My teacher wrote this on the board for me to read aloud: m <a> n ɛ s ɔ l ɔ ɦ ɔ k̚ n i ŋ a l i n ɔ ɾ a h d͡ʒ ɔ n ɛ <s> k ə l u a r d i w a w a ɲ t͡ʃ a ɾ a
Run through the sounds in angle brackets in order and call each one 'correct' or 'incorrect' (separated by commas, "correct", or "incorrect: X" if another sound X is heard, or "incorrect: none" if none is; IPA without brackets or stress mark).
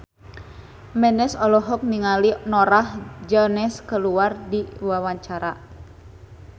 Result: incorrect: ɛ, correct